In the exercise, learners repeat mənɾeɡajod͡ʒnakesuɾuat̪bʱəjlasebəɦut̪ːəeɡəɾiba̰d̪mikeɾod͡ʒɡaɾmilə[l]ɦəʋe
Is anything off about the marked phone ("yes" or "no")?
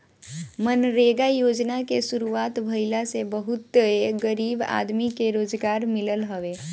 no